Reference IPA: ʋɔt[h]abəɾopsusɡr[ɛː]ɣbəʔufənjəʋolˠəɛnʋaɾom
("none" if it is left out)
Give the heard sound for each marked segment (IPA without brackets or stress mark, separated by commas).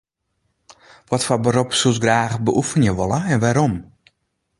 f, aː